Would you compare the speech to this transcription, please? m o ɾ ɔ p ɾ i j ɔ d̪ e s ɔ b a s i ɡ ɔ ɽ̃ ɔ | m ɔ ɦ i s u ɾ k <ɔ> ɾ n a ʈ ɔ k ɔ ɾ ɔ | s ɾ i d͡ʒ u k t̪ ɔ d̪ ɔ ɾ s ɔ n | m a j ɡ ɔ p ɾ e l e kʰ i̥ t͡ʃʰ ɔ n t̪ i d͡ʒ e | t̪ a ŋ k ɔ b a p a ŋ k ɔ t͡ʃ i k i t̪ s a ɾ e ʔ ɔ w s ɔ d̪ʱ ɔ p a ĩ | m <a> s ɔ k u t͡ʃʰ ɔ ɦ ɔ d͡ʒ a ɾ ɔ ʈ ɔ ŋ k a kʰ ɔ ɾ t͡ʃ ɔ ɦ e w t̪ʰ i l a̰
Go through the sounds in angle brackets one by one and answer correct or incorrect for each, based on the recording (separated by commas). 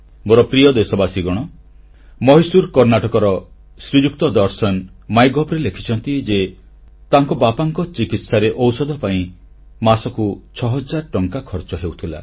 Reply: correct, correct